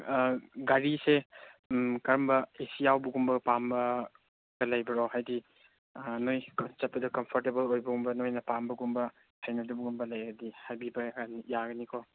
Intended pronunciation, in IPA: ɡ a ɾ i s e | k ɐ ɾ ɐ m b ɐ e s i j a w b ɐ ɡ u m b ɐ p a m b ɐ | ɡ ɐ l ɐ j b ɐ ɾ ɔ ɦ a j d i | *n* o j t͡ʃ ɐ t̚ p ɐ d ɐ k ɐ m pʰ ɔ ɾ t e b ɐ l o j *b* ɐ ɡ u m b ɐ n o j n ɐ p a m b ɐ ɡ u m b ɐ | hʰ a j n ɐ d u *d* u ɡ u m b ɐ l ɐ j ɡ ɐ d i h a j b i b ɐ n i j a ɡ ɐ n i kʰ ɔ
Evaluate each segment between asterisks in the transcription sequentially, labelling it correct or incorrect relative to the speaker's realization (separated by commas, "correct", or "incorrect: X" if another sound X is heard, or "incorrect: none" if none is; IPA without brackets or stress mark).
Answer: correct, correct, incorrect: b